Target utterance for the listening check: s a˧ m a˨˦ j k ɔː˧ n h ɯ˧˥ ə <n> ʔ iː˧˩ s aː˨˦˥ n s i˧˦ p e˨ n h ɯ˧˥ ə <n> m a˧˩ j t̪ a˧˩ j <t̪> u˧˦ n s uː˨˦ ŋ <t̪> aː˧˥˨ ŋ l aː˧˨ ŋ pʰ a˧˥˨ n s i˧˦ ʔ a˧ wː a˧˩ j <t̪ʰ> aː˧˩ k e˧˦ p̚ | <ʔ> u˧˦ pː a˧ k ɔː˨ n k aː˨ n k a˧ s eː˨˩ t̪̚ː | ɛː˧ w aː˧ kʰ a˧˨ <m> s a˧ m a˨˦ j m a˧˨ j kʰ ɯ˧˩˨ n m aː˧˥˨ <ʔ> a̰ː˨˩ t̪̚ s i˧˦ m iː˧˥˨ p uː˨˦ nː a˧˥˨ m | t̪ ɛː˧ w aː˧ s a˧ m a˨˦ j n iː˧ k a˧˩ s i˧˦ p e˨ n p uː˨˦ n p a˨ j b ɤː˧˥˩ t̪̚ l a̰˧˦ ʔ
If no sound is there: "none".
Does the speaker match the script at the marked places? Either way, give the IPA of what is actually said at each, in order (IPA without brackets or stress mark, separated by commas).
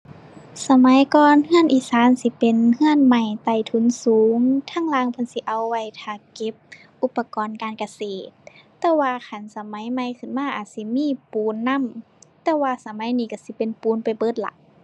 n, n, t̪ʰ, t̪ʰ, t̪ʰ, ʔ, n, ʔ